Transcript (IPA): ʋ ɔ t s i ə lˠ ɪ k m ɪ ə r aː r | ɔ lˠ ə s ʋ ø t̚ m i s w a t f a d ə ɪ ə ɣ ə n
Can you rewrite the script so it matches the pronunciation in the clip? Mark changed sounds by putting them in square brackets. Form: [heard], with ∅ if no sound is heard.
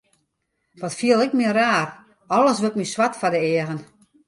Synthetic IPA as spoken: ʋ ɔ t [f] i ə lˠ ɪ k m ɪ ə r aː r | ɔ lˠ ə s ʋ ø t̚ m i s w a t f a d ə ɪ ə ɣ ə n